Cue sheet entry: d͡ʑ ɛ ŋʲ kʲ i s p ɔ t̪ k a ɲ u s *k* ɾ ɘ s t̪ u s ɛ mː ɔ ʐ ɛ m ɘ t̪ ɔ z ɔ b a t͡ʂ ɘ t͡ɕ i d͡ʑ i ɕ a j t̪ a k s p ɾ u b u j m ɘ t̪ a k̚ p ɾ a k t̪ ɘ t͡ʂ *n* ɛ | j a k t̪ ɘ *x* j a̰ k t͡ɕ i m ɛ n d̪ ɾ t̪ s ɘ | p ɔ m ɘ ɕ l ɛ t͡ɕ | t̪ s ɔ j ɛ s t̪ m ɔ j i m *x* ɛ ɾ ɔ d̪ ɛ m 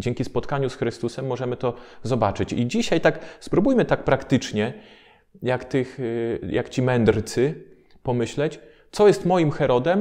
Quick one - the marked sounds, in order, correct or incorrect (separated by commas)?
incorrect, incorrect, correct, correct